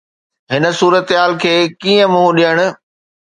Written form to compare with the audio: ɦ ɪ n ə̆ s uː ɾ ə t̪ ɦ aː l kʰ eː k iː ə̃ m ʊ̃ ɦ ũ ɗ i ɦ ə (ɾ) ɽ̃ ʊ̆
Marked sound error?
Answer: yes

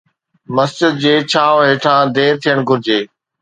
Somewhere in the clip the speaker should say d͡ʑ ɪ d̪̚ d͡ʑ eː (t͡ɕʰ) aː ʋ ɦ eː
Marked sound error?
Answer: no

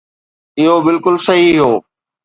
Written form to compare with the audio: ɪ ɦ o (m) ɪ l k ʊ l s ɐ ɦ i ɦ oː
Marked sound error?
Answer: yes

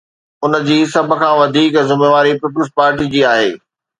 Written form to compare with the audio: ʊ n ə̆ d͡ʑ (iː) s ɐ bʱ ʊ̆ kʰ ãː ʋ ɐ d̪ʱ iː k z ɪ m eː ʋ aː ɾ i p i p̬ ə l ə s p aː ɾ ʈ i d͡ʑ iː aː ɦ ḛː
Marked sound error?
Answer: no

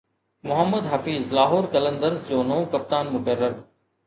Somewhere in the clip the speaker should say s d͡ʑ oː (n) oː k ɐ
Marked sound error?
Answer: no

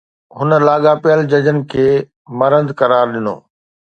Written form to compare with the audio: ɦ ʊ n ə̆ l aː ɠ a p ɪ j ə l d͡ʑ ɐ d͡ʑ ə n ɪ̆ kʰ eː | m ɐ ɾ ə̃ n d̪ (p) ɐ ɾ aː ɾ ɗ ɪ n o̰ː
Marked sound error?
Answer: yes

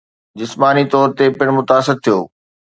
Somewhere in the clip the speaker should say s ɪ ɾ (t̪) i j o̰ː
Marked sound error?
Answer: yes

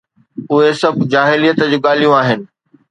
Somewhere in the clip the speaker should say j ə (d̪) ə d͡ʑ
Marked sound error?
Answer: yes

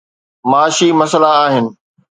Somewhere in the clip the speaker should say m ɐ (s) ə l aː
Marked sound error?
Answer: no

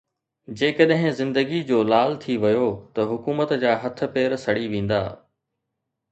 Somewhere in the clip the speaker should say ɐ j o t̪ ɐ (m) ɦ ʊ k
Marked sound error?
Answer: yes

